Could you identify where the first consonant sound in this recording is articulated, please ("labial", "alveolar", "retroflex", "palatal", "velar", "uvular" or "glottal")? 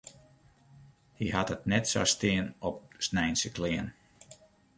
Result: glottal